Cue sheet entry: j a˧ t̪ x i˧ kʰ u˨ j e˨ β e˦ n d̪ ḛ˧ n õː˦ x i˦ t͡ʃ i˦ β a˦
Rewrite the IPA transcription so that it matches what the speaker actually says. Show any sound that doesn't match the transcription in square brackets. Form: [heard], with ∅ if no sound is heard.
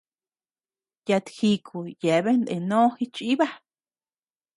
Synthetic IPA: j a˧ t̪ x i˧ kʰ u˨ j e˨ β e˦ n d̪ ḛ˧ n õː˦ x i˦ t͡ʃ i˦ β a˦